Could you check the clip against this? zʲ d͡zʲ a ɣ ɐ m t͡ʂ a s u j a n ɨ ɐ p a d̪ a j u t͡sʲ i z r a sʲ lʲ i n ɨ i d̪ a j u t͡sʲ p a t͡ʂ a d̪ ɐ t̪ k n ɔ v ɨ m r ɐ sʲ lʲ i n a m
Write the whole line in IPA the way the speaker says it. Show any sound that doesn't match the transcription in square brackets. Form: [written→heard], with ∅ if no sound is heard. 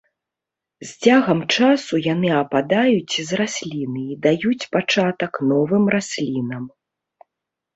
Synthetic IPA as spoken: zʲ d͡zʲ a ɣ ɐ m t͡ʂ a s u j a n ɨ ɐ p a d̪ a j u t͡sʲ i z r a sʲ lʲ i n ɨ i d̪ a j u t͡sʲ p a t͡ʂ a [d̪→t̪] ɐ [t̪→∅] k n ɔ v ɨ m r [ɐ→a] sʲ lʲ i n [a→ɐ] m